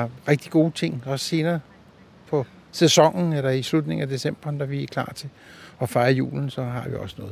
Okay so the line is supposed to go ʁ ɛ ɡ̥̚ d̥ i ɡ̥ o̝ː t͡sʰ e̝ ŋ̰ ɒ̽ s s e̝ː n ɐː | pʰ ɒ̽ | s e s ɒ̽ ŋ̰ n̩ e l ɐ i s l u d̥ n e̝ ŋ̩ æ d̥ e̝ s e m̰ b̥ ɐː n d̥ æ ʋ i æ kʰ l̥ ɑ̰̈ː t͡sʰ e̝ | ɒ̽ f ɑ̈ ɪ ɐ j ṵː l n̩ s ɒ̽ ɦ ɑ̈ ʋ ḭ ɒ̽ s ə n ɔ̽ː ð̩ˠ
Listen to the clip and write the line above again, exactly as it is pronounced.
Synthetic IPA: ʁ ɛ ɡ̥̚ d̥ i ɡ̥ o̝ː t͡sʰ e̝ ŋ̰ ɒ̽ s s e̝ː n ɐː | pʰ ɒ̽ | s e s ɒ̽ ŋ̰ n̩ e l ɐ i s l u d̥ n e̝ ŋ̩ æ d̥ e̝ s e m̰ b̥ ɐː n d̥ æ ʋ i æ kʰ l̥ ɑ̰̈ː t͡sʰ e̝ | ɒ̽ f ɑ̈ ɪ ɐ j ṵː l n̩ s ɒ̽ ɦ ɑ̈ ʋ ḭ ɒ̽ s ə n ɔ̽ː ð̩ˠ